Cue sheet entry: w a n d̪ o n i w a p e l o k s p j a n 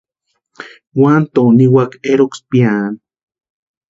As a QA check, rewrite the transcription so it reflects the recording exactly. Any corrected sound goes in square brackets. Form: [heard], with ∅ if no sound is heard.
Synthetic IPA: w a n [t̪] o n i w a [k] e [ɾ] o k s p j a n